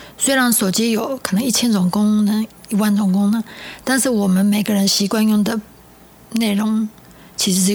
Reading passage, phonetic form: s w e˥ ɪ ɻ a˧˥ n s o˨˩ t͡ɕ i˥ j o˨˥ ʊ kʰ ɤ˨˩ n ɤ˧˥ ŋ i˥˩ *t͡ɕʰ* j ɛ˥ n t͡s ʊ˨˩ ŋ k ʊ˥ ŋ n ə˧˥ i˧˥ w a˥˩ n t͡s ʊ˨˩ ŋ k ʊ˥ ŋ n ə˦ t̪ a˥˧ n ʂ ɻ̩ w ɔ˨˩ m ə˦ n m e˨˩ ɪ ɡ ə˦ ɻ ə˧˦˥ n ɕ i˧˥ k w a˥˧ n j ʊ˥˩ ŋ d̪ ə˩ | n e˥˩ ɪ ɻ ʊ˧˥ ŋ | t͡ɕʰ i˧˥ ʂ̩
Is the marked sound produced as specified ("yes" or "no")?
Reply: yes